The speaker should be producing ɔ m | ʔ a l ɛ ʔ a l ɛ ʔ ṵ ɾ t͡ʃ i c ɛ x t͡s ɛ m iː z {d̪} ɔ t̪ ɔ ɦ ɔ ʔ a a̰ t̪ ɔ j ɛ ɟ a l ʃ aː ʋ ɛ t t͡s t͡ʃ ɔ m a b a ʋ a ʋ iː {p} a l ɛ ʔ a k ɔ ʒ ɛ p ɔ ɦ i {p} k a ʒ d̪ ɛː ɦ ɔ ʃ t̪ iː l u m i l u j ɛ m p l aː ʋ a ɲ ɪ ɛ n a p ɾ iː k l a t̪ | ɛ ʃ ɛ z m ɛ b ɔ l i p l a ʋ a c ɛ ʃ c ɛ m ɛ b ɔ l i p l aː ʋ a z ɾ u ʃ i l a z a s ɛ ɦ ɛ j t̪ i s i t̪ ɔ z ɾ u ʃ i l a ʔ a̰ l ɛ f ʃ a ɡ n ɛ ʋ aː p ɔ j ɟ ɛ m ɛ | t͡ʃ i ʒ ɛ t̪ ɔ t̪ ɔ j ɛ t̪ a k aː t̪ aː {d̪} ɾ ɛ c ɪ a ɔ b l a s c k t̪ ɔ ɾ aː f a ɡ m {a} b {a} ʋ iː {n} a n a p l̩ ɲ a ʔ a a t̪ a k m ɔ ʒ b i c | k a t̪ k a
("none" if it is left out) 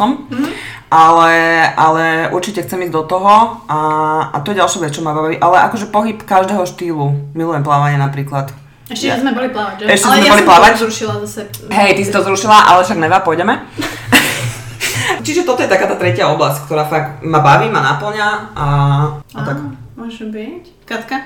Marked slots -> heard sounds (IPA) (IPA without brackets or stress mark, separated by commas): d̪, ʔ, p, t̪, a, a, m